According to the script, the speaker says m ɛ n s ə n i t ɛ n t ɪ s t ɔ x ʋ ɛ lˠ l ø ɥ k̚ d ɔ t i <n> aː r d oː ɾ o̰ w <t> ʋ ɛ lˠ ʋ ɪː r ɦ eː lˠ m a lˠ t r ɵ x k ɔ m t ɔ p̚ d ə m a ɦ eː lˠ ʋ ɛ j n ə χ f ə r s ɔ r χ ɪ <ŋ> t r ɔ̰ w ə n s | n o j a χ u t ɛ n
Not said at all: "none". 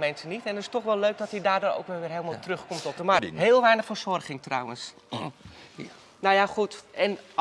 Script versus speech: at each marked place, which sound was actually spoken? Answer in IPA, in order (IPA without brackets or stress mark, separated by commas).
d, k, ŋ